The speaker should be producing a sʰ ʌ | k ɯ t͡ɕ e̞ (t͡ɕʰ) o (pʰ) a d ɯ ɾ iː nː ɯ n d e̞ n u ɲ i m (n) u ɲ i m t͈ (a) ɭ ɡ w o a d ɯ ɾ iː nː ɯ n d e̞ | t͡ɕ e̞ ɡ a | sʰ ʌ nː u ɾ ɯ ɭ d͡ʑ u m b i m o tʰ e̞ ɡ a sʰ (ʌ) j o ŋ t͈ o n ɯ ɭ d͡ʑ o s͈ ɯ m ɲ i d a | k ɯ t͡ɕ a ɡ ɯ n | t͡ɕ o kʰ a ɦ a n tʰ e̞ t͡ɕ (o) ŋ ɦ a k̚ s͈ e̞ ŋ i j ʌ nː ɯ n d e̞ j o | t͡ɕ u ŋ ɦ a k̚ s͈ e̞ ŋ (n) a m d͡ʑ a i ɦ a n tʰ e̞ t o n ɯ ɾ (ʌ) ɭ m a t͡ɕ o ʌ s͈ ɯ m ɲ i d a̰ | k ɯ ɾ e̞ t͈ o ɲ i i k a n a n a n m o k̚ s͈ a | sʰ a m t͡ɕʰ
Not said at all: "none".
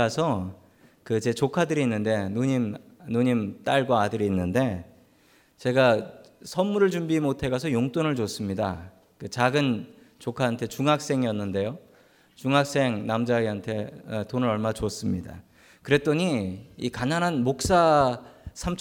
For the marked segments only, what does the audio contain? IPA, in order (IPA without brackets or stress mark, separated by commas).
t͡ɕ, kʰ, n, a, ʌ, u, n, ʌ